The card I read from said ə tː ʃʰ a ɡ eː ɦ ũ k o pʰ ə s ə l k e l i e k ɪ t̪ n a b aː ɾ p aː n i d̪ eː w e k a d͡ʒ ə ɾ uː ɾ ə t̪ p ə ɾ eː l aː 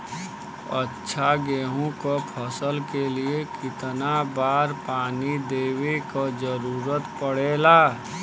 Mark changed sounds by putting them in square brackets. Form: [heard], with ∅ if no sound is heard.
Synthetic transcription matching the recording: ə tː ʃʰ a ɡ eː ɦ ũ k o pʰ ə s ə l k e l i e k ɪ t̪ n a b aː ɾ p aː n i d̪ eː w e k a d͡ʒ ə ɾ uː ɾ ə t̪ p ə [ɽ] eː l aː